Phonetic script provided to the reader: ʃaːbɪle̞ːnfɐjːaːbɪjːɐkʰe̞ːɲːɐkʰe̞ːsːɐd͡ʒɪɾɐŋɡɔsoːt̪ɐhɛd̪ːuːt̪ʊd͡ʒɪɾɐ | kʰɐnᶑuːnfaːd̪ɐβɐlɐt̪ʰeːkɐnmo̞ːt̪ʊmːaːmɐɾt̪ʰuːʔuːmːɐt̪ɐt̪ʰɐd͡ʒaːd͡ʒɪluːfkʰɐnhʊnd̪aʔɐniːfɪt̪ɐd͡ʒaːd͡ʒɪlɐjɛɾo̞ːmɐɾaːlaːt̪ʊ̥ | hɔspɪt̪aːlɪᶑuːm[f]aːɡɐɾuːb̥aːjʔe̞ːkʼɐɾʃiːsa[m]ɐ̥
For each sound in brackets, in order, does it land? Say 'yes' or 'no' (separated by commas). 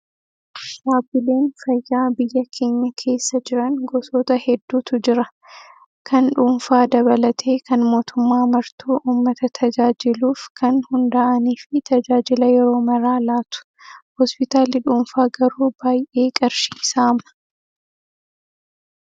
yes, yes